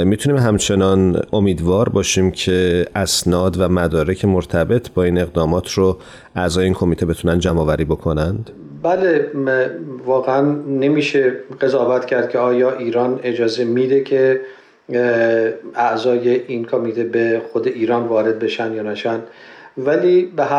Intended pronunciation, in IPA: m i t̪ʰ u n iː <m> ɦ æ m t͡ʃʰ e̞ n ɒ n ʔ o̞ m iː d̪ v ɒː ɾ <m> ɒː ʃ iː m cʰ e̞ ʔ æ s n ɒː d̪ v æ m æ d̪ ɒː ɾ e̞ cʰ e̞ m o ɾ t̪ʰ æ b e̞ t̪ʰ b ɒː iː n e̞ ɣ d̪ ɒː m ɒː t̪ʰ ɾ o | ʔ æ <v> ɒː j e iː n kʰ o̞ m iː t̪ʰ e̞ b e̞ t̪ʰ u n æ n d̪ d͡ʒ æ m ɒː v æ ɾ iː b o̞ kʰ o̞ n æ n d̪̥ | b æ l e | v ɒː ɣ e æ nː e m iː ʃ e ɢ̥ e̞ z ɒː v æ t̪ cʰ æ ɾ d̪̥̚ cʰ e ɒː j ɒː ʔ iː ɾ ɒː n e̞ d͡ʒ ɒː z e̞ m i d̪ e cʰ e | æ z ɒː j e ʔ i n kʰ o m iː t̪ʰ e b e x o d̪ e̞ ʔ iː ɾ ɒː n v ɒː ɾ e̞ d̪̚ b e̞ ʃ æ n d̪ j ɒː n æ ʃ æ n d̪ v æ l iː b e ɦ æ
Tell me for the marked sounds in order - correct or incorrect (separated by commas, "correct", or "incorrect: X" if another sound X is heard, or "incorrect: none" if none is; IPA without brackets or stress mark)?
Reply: correct, incorrect: b, incorrect: z